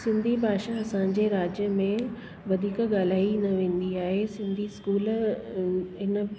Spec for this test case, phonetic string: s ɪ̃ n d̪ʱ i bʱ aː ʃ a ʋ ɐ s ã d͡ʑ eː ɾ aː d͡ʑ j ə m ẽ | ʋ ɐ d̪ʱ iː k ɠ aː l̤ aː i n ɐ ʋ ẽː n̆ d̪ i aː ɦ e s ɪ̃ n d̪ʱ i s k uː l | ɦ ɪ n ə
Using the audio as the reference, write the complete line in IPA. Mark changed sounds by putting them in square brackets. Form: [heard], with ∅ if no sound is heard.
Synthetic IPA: s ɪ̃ n d̪ʱ i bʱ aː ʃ a [∅] ɐ s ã d͡ʑ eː ɾ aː d͡ʑ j ə m ẽ | ʋ ɐ d̪ʱ iː k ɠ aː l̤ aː i n ɐ ʋ ẽː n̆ d̪ i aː ɦ e s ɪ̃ n d̪ʱ i s k uː l | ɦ ɪ n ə